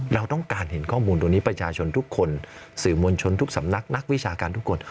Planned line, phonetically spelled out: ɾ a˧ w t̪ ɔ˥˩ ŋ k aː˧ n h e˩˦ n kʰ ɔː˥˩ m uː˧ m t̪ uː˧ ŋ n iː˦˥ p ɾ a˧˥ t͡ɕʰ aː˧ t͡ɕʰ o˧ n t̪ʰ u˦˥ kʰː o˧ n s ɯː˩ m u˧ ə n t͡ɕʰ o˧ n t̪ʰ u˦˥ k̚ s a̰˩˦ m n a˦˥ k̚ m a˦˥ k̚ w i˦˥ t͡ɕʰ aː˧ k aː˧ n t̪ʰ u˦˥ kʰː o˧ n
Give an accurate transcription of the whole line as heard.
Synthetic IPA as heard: ɾ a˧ w t̪ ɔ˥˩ ŋ k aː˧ n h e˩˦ n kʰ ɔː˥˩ m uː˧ n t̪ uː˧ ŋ n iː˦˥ p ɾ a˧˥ t͡ɕʰ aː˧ t͡ɕʰ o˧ n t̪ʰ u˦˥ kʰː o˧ n s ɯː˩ m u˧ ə n t͡ɕʰ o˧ n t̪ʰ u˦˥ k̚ s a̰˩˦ m n a˦˥ k̚ n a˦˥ k̚ w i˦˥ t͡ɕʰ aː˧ k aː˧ n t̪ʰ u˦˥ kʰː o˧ n

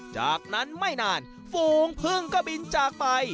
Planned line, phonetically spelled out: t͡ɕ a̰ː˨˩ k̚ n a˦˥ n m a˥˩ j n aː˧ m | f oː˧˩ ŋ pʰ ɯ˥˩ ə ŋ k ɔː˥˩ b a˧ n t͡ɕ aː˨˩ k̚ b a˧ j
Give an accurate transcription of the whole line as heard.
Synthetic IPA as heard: t͡ɕ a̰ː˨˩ k̚ n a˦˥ n m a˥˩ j n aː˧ n | f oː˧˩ ŋ pʰ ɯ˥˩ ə ŋ k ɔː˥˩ b i˧ n t͡ɕ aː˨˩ k̚ p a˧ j

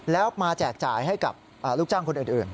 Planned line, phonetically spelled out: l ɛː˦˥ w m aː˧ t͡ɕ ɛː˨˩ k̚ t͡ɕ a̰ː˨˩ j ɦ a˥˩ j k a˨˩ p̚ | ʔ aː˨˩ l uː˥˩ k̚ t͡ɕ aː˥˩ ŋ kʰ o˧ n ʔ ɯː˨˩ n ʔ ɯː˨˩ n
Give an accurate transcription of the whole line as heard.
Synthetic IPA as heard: l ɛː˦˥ w m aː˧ t͡ɕ ɛː˨˩ k̚ t͡ɕ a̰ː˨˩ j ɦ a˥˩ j k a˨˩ p̚ | ʔ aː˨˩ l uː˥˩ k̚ t͡ɕ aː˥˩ ŋ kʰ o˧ n ʔ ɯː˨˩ n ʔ ɯː˨˩ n

